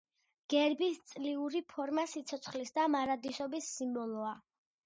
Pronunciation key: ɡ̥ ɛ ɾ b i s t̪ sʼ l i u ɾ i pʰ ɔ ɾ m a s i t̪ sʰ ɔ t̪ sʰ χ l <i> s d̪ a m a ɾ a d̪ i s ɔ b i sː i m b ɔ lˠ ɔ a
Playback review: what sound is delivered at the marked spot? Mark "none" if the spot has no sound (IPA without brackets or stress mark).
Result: i